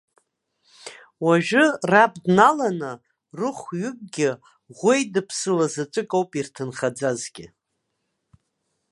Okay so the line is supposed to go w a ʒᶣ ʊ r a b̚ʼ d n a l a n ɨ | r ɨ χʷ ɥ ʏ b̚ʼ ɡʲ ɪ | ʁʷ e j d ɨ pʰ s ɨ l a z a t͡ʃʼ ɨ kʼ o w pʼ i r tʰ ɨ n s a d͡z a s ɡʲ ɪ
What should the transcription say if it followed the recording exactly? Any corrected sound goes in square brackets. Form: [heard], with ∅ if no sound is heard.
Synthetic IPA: w a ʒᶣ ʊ r a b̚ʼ d n a l a n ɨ | r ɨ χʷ ɥ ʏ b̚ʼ ɡʲ ɪ | ʁʷ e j d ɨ pʰ s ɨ l a z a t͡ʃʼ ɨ kʼ o w pʼ i r tʰ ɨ n [χ] a d͡z a [z] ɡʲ ɪ